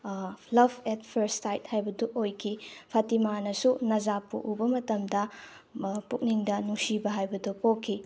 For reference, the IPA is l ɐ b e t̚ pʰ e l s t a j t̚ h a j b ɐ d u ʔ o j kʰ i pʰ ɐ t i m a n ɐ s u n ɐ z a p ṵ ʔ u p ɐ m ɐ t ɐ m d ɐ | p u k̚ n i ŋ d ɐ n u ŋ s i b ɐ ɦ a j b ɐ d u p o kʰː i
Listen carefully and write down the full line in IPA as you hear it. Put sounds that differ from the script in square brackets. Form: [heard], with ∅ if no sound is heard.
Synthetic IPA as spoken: l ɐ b e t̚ pʰ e [ɾ] s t a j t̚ h a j b ɐ d u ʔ o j kʰ i pʰ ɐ t i m a n ɐ s u n ɐ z a p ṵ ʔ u [b] ɐ m ɐ t ɐ m d ɐ | p u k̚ n i ŋ d ɐ n u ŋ s i b ɐ ɦ a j b ɐ d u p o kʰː i

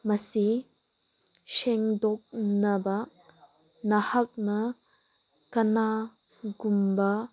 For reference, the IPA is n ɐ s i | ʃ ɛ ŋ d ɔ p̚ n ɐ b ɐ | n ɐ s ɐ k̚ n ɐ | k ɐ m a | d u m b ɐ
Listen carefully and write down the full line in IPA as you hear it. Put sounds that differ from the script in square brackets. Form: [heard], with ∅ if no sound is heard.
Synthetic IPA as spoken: [m] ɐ s i | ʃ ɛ ŋ d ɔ [k̚] n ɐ b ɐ | n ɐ [h] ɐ k̚ n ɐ | k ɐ [n] a | [ɡ] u m b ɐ

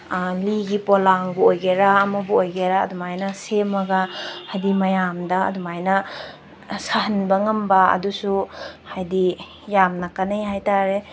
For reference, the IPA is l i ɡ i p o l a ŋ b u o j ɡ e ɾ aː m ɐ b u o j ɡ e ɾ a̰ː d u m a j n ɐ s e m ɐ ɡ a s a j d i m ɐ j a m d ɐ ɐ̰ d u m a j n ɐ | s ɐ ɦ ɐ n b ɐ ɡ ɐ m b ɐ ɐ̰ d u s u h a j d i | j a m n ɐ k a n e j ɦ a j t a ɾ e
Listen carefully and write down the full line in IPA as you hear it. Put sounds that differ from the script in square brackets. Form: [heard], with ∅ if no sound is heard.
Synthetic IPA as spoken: l i ɡ i p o l a ŋ b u o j ɡ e ɾ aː m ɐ b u o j ɡ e ɾ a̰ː d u m a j n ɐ s e m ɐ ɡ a [h] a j d i m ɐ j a m d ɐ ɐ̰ d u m a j n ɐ | s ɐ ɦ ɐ n b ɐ [ŋ] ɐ m b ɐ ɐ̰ d u s u h a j d i | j a m n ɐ k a n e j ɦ a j t a ɾ e

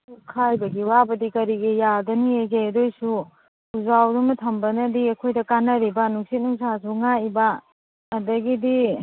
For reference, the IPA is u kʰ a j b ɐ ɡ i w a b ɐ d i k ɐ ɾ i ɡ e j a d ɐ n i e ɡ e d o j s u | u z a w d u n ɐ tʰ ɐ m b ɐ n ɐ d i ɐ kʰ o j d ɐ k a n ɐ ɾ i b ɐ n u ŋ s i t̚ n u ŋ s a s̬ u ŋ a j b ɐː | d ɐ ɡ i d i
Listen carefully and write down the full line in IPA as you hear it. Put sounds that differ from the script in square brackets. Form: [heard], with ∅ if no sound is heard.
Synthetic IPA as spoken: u kʰ a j b ɐ ɡ i w a b ɐ d i k ɐ ɾ i ɡ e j a d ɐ n i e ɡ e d o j s u | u z a w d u [m] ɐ tʰ ɐ m b ɐ n ɐ d i ɐ kʰ o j d ɐ k a n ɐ ɾ i b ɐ n u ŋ s i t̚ n u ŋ s a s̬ u ŋ a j b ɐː | d ɐ ɡ i d i

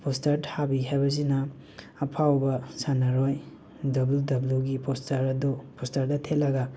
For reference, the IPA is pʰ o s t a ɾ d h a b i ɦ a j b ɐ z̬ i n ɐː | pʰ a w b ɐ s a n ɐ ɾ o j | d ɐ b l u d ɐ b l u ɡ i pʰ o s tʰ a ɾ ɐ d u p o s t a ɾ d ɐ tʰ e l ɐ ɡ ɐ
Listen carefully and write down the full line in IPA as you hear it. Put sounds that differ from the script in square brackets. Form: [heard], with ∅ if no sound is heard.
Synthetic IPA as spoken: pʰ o s t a ɾ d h a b i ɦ a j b ɐ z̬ i n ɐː | pʰ a w b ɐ s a n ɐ ɾ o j | d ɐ b l u d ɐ b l u ɡ i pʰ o s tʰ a ɾ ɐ d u p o s t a ɾ d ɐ tʰ e l ɐ ɡ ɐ

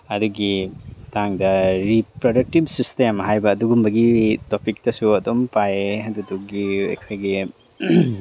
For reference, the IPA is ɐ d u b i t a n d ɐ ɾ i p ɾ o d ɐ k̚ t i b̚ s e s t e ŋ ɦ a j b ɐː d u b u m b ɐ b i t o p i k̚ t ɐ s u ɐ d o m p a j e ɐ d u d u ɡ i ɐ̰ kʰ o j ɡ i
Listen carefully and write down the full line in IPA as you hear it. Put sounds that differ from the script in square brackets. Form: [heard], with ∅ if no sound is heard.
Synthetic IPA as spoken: ɐ d u [ɡ] i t a [ŋ] d ɐ ɾ i p ɾ o d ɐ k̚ t i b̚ s [i] s t e [m] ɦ a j b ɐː d u [ɡ] u m b ɐ [ɡ] i t o p i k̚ t ɐ s u ɐ d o m p a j e ɐ d u d u ɡ i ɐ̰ kʰ o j ɡ i

